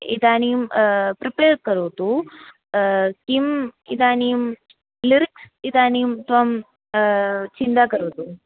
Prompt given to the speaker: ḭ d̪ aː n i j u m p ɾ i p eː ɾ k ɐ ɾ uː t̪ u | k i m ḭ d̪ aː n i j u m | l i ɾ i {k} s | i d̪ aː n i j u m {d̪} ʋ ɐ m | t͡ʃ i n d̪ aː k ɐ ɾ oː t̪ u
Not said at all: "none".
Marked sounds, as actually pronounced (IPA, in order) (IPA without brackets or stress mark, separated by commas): k, t̪